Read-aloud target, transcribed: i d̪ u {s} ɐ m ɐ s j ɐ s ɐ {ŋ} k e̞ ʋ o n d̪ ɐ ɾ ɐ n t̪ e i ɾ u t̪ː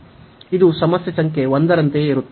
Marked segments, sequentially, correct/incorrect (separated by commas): correct, correct